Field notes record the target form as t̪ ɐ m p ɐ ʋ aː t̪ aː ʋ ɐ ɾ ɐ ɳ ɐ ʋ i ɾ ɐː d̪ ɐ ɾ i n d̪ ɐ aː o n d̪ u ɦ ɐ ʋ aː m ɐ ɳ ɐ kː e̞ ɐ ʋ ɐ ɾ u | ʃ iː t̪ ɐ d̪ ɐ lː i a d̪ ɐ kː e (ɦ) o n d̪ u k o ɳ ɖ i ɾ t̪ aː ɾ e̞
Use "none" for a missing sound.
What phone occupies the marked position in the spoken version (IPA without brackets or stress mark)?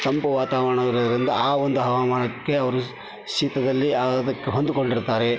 ɦ